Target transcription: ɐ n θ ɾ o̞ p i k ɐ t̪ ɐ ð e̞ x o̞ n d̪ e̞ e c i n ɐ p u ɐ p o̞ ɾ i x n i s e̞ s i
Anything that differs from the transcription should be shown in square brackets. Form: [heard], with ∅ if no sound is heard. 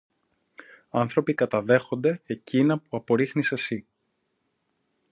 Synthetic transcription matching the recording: ɐ n θ ɾ o̞ p i k ɐ t̪ ɐ ð e̞ x o̞ n d̪ e̞ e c i n ɐ p u ɐ p o̞ ɾ i x n i s e̞ s i